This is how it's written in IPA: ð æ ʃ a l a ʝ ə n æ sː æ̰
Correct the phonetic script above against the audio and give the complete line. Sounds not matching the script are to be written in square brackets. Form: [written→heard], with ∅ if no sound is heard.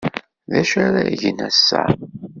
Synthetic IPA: ð æ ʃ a [l→ɾ] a ʝ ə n æ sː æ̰